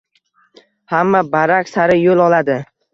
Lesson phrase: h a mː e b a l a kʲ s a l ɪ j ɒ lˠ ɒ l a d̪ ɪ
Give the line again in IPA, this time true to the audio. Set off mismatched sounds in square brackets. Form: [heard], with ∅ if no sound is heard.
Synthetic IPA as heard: h a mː [a] b a [ɾ] a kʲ s a [ɾ] ɪ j [o] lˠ ɒ l a d̪ ɪ